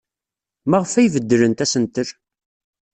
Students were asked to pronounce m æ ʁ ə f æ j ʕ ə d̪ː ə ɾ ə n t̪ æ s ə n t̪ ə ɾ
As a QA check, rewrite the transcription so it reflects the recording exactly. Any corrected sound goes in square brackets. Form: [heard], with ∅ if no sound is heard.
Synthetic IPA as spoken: m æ ʁ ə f æ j [v] ə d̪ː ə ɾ ə n t̪ æ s ə n t̪ ə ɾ